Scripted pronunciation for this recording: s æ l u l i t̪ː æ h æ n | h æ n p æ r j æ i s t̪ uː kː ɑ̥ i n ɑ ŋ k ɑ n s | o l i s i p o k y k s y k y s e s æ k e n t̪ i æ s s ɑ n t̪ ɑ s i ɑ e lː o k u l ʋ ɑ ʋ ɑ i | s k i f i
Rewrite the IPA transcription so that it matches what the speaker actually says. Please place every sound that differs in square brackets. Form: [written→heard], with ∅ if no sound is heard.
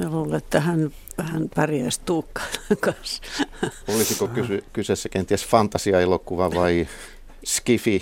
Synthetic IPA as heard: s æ l [u→uː] l [i→e] t̪ː æ h æ n | h æ n p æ r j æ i s t̪ uː kː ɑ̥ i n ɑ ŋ k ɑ n s | o l i s i [p→k] o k y [k→∅] s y k y s e [s→sː] æ k e n t̪ i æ s [s→f] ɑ n t̪ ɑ s i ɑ e [lː→l] o k u [l→∅] ʋ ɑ ʋ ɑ i | s k i f i